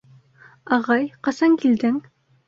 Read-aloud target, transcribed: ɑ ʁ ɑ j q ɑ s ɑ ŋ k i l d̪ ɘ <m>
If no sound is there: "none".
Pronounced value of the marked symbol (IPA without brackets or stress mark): ŋ